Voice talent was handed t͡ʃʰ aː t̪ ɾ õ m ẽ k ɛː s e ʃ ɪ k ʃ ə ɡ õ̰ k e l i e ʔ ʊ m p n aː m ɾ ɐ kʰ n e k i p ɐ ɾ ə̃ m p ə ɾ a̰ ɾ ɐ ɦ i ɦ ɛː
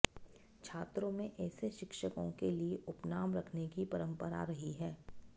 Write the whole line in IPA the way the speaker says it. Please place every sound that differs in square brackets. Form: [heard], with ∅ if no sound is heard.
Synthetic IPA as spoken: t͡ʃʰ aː t̪ ɾ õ m ẽ [ʔ] ɛː s e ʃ ɪ k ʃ ə [k] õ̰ k e l i e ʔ ʊ [∅] p n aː m ɾ ɐ kʰ n e k i p ɐ ɾ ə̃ m p ə ɾ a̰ ɾ ɐ ɦ i ɦ ɛː

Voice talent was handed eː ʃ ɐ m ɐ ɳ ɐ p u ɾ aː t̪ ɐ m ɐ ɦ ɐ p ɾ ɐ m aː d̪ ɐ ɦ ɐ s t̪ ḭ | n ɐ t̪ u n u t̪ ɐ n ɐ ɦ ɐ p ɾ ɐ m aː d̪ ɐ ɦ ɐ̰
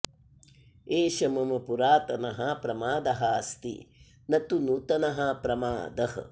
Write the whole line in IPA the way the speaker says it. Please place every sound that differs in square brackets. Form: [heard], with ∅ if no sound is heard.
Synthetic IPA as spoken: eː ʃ ɐ m ɐ [m] ɐ p u ɾ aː t̪ ɐ [n] ɐ ɦ ɐ p ɾ ɐ m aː d̪ ɐ ɦ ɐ s t̪ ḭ | n ɐ t̪ u n u t̪ ɐ n ɐ ɦ ɐ p ɾ ɐ m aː d̪ ɐ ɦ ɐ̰

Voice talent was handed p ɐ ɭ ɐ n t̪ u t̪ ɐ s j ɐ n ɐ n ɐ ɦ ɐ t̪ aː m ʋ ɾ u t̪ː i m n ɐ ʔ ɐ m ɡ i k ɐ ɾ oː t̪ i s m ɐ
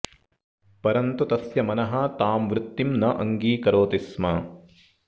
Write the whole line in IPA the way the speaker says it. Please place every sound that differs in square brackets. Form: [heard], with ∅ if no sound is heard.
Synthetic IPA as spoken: p ɐ [ɾ] ɐ n t̪ u t̪ ɐ s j ɐ [m] ɐ n ɐ ɦ ɐ t̪ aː m ʋ ɾ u t̪ː i m n ɐ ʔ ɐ [ŋ] ɡ [iː] k ɐ ɾ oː t̪ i s m ɐ

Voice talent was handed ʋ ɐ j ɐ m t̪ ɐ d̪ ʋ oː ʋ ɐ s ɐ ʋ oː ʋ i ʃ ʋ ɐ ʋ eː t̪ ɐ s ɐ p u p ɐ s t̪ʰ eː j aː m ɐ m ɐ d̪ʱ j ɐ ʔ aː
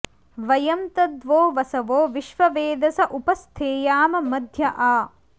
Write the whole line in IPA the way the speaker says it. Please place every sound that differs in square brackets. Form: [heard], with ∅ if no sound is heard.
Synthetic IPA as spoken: ʋ ɐ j ɐ m t̪ ɐ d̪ ʋ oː ʋ ɐ s ɐ ʋ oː ʋ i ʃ ʋ ɐ ʋ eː [d̪] ɐ s ɐ [ʔ] u p ɐ s t̪ʰ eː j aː m ɐ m ɐ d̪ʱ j ɐ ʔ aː

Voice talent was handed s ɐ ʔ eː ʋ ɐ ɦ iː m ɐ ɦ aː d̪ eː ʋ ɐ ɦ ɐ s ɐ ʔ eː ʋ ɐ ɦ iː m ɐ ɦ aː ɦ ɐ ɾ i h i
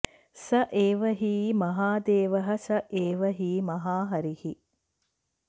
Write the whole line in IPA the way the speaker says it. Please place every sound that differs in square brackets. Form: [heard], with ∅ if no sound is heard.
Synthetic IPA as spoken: s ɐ ʔ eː ʋ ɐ ɦ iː m ɐ ɦ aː d̪ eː ʋ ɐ ɦ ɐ s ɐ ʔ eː ʋ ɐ ɦ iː m ɐ ɦ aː ɦ ɐ ɾ i h i

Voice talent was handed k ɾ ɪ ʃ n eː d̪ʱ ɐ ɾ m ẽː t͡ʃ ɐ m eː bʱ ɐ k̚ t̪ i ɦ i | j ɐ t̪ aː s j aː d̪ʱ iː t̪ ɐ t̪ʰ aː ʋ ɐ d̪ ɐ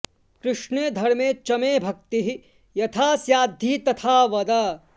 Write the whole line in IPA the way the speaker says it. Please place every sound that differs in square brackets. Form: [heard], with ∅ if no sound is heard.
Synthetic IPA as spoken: k ɾ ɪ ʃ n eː d̪ʱ ɐ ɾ m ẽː t͡ʃ ɐ m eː bʱ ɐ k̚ t̪ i ɦ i | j ɐ [t̪ʰ] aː s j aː d̪ʱ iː t̪ ɐ t̪ʰ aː ʋ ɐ d̪ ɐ

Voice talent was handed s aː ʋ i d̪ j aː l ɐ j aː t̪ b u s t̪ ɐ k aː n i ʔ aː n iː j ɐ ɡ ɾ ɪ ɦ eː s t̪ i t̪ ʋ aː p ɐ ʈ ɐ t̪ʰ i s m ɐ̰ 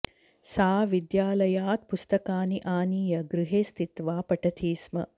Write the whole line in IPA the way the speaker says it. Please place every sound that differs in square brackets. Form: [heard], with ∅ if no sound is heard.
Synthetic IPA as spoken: s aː ʋ i d̪ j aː l ɐ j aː t̪ [p] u s t̪ ɐ k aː n i ʔ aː n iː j ɐ ɡ ɾ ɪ ɦ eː s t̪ i t̪ ʋ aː p ɐ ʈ ɐ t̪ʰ [iː] s m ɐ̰

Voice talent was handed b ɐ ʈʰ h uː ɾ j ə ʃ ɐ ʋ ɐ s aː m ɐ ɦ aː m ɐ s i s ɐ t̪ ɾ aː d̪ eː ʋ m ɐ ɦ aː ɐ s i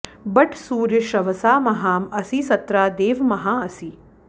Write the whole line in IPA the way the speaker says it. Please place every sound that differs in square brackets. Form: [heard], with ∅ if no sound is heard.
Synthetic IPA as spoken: b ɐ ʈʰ [s] uː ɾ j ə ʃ ɐ ʋ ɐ s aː m ɐ ɦ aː m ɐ s i s ɐ t̪ ɾ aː d̪ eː ʋ m ɐ ɦ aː ɐ s i

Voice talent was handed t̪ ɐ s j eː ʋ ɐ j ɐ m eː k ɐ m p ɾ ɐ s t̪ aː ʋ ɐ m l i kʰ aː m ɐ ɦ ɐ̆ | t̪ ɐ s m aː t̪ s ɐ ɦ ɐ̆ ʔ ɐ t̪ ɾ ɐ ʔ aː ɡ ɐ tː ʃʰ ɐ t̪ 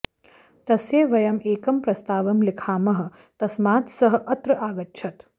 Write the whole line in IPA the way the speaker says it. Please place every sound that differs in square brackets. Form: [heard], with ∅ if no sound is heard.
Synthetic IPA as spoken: t̪ ɐ s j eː ʋ ɐ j ɐ m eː k ɐ m p ɾ ɐ s t̪ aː ʋ ɐ m l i kʰ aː m ɐ ɦ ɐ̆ | t̪ ɐ s m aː t̪ s ɐ ɦ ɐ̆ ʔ ɐ t̪ ɾ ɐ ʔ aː ɡ ɐ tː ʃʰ ɐ t̪

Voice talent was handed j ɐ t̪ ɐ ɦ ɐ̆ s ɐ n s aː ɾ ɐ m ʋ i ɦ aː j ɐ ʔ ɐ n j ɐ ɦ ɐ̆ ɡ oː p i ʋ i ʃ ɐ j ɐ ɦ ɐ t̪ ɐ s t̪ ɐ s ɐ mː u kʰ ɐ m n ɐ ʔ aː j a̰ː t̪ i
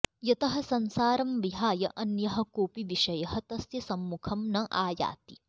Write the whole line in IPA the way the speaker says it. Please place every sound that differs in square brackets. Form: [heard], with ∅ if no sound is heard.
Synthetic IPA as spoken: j ɐ t̪ ɐ ɦ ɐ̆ s ɐ n s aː ɾ ɐ m ʋ i ɦ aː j ɐ ʔ ɐ n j ɐ ɦ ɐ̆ [k] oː p i ʋ i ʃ ɐ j ɐ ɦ ɐ t̪ ɐ s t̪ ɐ s ɐ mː u kʰ ɐ m n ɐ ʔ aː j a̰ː t̪ i

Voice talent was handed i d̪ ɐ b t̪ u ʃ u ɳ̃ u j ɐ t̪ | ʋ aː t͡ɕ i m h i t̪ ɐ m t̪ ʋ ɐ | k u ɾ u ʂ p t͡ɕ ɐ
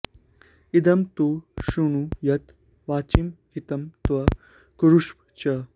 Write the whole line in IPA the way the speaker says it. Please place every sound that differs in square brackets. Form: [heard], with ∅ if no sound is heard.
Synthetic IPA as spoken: i d̪ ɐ [m] t̪ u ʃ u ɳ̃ u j ɐ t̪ | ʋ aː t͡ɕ i m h i t̪ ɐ m t̪ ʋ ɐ | k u ɾ u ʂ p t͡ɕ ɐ

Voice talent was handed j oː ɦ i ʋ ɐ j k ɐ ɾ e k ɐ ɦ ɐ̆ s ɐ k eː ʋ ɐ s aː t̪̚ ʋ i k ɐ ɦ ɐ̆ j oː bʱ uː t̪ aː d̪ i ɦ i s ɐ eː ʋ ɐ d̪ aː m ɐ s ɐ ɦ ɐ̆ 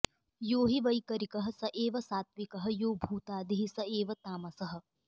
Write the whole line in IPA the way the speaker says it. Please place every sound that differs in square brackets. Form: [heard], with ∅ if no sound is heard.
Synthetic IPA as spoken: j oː ɦ i ʋ ɐ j k ɐ ɾ [i] k ɐ ɦ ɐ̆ s ɐ [ʔ] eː ʋ ɐ s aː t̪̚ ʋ i k ɐ ɦ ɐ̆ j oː bʱ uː t̪ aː d̪ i ɦ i s ɐ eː ʋ ɐ [t̪] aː m ɐ s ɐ ɦ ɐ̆

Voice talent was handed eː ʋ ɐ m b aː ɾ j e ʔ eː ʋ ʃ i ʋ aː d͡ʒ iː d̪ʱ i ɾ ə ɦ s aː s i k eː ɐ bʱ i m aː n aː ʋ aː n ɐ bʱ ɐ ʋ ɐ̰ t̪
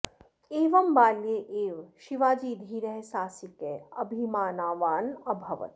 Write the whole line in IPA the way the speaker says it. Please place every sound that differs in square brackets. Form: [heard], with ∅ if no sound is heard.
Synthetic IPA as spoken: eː ʋ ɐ m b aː [l] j e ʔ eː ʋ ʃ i ʋ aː d͡ʒ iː d̪ʱ i ɾ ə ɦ s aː s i k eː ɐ bʱ i m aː n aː ʋ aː n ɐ bʱ ɐ ʋ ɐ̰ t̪

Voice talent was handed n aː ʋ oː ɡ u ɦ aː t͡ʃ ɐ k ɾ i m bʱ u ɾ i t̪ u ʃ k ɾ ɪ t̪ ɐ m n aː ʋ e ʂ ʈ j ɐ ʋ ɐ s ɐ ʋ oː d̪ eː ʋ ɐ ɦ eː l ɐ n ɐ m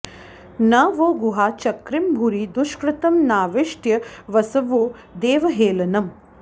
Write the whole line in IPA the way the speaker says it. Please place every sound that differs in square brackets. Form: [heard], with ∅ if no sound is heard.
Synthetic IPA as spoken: n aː ʋ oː ɡ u ɦ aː t͡ʃ ɐ k ɾ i m bʱ u ɾ i [d̪] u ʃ k ɾ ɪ t̪ ɐ m n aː ʋ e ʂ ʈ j ɐ ʋ ɐ s ɐ ʋ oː d̪ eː ʋ ɐ ɦ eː l ɐ n ɐ m

